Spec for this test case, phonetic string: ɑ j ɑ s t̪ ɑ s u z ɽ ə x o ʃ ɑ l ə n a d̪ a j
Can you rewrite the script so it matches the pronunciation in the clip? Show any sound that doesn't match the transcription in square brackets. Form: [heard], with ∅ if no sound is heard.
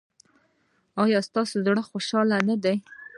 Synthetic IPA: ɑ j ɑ s t̪ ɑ s [o] z ɽ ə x o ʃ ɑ l [a] n a d̪ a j